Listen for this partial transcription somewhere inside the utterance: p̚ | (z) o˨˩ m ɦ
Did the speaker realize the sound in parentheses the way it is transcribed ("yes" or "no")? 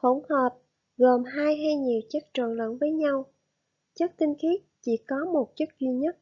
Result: no